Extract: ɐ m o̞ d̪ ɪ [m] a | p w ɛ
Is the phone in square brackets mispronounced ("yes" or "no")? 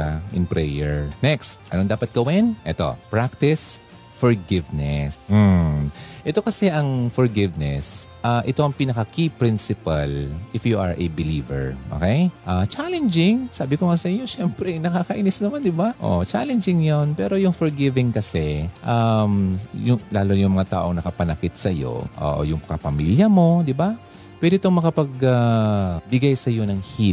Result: yes